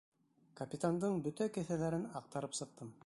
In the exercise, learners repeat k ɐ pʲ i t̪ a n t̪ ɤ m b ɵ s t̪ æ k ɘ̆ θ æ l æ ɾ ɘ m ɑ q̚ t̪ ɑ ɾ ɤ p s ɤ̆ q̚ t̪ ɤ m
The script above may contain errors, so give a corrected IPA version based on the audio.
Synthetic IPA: k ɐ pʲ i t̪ a n d̪ ɤ ɴ b ɵ t̪ æ k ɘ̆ θ æ l æ ɾ ɘ n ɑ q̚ t̪ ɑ ɾ ɤ p s ɤ̆ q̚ t̪ ɤ m